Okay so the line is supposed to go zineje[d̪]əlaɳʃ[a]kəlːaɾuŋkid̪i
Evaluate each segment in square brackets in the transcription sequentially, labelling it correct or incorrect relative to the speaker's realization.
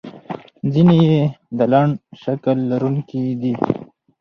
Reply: correct, correct

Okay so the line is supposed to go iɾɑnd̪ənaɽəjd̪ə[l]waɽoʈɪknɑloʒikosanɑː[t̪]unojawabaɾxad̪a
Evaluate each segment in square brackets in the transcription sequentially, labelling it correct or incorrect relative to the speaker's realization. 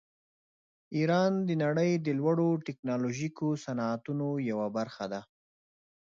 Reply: correct, correct

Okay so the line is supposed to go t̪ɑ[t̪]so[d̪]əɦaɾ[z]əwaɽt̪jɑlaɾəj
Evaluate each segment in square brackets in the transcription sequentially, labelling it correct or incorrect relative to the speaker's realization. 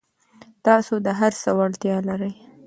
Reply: incorrect, correct, incorrect

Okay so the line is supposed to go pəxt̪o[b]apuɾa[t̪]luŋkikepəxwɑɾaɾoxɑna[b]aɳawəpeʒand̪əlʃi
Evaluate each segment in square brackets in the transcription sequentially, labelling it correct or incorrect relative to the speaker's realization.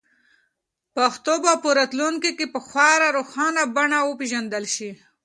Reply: correct, correct, correct

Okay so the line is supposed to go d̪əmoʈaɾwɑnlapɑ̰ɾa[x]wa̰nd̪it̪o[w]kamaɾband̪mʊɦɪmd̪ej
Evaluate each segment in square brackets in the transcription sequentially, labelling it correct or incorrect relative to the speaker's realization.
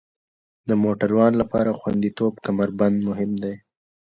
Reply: correct, incorrect

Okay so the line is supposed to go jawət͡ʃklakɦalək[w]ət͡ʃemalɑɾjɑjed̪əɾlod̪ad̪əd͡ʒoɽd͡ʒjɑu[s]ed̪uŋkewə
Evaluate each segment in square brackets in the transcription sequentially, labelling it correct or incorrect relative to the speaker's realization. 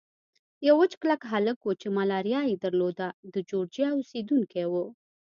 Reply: correct, correct

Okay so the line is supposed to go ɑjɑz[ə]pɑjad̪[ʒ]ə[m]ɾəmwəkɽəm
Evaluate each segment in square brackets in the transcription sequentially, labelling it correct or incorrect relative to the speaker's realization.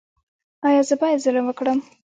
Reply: correct, incorrect, incorrect

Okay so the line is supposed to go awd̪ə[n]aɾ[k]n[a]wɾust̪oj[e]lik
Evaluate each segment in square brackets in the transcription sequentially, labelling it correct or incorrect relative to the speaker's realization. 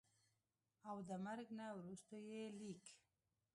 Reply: incorrect, incorrect, correct, correct

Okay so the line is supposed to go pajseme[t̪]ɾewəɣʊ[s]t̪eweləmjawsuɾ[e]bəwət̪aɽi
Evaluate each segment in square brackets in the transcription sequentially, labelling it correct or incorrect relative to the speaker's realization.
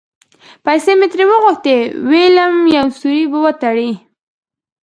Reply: correct, incorrect, incorrect

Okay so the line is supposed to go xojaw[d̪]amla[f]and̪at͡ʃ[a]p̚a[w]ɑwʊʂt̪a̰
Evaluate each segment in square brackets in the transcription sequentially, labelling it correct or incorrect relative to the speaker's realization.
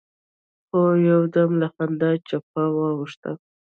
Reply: correct, incorrect, correct, correct

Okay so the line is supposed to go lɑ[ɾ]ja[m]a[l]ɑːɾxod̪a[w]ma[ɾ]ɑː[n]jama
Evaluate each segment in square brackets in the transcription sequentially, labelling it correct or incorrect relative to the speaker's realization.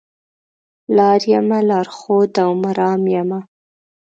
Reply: correct, correct, correct, correct, correct, incorrect

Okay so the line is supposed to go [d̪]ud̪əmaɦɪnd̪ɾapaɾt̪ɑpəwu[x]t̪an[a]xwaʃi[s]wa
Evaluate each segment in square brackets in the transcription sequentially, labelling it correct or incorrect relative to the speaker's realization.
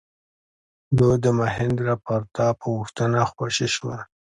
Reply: correct, correct, correct, incorrect

